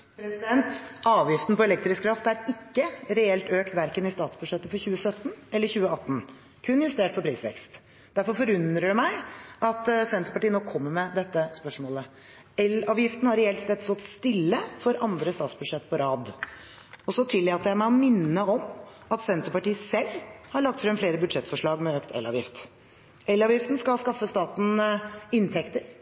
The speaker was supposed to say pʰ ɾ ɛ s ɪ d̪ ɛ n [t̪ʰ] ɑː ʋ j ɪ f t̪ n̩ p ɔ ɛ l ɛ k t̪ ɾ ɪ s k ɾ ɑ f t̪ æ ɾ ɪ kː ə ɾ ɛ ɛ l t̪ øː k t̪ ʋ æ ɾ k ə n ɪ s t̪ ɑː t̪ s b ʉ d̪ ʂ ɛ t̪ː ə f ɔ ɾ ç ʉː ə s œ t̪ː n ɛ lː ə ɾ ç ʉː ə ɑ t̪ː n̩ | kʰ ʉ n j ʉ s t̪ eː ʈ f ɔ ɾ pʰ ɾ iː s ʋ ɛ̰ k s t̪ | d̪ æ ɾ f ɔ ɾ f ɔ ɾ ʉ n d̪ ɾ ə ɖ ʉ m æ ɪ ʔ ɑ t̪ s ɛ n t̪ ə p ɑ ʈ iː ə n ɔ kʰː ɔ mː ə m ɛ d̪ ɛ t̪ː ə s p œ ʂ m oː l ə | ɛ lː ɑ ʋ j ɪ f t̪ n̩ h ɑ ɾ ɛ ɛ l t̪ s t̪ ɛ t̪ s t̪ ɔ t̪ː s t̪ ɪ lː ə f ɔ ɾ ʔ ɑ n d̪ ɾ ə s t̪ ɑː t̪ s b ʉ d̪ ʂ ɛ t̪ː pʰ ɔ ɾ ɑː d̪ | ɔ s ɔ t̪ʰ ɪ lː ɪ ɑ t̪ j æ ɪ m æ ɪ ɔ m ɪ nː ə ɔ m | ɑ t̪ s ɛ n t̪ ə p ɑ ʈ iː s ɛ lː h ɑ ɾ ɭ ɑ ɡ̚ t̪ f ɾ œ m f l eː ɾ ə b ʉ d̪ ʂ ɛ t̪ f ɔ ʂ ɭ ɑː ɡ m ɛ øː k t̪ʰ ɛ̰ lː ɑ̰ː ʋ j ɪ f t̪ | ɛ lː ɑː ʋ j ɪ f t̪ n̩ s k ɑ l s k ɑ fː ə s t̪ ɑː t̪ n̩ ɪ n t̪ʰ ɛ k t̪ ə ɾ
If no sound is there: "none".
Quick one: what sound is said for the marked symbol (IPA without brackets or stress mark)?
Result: t̪